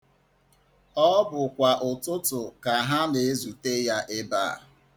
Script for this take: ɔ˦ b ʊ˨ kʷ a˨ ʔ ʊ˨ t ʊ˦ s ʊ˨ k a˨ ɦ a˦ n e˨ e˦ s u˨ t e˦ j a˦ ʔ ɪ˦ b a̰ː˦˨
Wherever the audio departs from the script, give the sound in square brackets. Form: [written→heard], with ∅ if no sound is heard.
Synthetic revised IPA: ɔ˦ b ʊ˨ kʷ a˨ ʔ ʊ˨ t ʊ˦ [s→t] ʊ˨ k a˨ ɦ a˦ n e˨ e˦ [s→z] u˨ t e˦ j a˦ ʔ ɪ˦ b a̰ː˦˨